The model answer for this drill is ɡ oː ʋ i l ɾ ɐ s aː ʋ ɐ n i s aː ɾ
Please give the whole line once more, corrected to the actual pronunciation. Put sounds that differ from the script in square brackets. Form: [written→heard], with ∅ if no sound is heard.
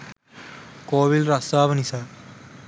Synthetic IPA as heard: [ɡ→k] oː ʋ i l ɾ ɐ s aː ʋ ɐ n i s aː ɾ

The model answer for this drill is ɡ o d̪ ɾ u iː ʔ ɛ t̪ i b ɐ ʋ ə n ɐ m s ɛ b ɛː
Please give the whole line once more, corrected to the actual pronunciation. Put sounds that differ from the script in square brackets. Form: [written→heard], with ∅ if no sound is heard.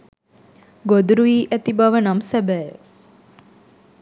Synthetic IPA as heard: ɡ o d̪ ɾ u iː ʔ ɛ t̪ i b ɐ ʋ ə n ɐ m s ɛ b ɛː

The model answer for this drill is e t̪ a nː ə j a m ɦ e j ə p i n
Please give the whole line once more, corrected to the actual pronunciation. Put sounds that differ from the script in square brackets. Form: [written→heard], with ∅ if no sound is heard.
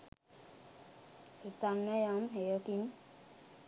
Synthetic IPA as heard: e t̪ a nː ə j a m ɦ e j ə [p→k] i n

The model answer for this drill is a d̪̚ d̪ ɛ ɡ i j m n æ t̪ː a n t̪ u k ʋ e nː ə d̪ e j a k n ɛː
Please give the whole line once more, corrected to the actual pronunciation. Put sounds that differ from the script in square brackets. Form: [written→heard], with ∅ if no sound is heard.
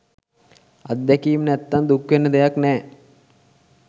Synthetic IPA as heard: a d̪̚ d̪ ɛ [ɡ→k] i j m n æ t̪ː a n [t̪→d̪] u k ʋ e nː ə d̪ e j a k n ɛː

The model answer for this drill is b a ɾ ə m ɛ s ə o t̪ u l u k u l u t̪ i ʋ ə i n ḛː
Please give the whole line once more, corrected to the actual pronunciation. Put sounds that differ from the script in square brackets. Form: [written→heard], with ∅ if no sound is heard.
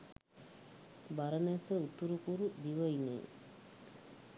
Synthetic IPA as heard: b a ɾ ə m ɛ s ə [o→u] t̪ u [l→ɾ] u k u [l→ɾ] u [t̪→d̪] i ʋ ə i n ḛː

